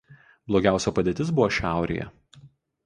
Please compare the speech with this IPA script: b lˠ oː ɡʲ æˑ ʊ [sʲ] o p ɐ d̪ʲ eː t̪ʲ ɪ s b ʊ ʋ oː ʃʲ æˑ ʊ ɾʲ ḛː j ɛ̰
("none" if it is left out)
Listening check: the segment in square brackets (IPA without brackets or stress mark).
sʲ